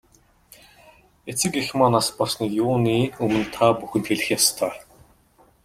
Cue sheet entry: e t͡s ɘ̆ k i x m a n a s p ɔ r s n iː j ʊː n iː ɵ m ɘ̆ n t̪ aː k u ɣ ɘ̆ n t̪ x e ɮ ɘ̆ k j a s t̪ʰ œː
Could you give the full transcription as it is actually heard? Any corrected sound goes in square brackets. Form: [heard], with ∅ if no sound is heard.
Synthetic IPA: e t͡s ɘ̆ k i x m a n a s p ɔ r s n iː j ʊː n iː ɵ m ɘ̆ n [t̪ʰ] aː [p] u [x] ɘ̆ n t̪ x e ɮ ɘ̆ [x] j a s t̪ʰ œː

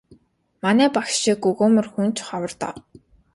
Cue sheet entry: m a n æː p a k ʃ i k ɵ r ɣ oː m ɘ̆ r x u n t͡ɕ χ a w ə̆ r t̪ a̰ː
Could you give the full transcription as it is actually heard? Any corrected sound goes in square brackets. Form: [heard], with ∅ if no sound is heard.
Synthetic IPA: m a n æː p a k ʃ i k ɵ [∅] ɣ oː m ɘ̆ r x u n t͡ɕ χ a w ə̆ r t̪ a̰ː

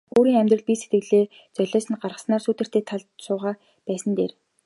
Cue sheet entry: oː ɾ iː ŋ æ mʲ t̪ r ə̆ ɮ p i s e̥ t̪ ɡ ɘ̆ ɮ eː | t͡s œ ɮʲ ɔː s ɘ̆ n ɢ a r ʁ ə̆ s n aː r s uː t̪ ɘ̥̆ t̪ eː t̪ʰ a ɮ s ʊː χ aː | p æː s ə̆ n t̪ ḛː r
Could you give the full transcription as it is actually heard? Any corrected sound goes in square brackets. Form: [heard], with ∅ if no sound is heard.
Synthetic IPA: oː ɾ iː ŋ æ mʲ t̪ r ə̆ ɮ p i s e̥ t̪ ɡ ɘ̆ ɮ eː | t͡s œ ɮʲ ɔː s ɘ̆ n ɢ a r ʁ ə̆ s n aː r s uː t̪ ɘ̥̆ t̪ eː t̪ʰ a ɮ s ʊː [ʁ] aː | p æː s ə̆ n t̪ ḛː r

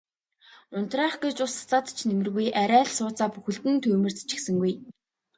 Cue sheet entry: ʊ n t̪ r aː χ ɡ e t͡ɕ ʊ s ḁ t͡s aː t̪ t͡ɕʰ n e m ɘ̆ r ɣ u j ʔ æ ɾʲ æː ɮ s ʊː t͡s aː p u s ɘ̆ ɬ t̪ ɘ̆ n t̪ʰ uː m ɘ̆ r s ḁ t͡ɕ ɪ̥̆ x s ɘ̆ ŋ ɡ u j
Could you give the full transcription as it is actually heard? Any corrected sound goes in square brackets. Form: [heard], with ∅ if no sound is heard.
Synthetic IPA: ʊ n t̪ r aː χ ɡ e t͡ɕ ʊ s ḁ t͡s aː t̪ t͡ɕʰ n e m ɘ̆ r ɣ u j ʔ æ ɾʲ æː ɮ s ʊː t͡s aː p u [x] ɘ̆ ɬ t̪ ɘ̆ n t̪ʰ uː m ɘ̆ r [t͡s] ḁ t͡ɕ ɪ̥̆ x s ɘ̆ ŋ ɡ u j

